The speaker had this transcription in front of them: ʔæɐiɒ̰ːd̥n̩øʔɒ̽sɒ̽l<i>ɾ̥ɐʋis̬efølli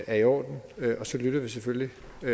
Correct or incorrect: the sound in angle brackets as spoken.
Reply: incorrect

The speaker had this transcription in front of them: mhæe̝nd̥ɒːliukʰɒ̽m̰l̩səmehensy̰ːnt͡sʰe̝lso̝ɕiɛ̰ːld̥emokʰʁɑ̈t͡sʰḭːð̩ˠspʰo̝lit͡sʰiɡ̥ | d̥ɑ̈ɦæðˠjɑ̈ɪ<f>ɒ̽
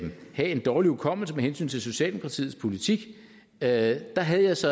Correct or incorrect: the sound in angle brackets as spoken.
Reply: incorrect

